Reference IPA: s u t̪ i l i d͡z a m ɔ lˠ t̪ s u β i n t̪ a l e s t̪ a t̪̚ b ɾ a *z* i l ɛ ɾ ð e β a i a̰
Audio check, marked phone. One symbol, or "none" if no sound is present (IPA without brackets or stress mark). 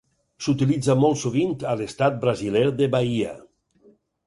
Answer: z